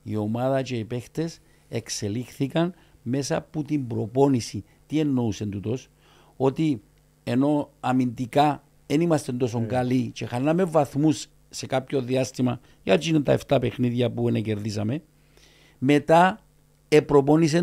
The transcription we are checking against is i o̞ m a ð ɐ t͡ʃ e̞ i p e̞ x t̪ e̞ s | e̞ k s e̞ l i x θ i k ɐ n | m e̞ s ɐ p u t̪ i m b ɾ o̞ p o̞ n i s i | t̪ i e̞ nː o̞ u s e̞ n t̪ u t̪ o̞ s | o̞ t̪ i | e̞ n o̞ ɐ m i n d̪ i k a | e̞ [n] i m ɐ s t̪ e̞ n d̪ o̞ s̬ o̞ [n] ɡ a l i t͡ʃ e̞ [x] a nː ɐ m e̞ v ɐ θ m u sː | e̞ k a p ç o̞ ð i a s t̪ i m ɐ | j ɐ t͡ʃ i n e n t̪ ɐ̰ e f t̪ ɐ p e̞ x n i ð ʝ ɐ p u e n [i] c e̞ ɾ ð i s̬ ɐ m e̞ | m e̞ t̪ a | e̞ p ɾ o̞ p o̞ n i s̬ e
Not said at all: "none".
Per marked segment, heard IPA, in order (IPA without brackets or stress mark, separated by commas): n, ŋ, x, e